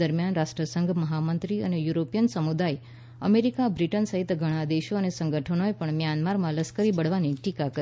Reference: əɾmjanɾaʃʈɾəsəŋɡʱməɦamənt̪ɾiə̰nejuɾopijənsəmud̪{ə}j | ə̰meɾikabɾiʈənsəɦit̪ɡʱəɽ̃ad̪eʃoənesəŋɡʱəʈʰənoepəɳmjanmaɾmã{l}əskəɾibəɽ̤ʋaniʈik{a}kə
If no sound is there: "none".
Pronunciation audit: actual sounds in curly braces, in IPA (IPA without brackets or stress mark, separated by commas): a, l, a